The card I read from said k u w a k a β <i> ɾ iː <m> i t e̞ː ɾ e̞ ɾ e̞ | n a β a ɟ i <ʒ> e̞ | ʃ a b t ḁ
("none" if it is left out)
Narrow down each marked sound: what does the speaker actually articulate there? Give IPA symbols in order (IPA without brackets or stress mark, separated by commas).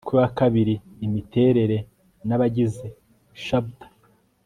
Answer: i, m, z